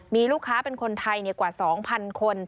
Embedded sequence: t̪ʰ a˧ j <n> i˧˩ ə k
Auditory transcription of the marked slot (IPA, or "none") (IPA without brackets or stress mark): n